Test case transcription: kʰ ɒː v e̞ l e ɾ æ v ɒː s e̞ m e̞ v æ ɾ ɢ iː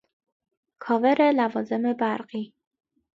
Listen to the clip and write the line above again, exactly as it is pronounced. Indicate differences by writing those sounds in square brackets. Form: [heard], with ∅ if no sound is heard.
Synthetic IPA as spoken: kʰ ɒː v e̞ [ɾ] e [l] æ v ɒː [z] e̞ m e̞ [b] æ ɾ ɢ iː